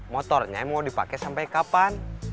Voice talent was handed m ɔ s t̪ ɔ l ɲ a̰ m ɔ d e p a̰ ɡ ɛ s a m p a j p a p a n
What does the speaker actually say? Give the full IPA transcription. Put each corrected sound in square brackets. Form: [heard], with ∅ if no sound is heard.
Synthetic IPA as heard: m ɔ [∅] t̪ ɔ [r] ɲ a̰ m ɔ d [i] p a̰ [k] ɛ s a m p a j [k] a p a n

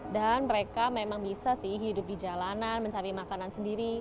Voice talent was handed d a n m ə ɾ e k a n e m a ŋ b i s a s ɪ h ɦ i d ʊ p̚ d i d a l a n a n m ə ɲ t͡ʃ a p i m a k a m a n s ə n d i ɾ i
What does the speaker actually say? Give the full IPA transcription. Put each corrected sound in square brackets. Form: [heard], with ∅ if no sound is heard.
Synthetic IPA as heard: d a n m ə ɾ e k a [m] e m a ŋ b i s a s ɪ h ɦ i d ʊ p̚ d i [d͡ʒ] a l a n a n m ə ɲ t͡ʃ a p i m a k a [n] a n s ə n d i ɾ i

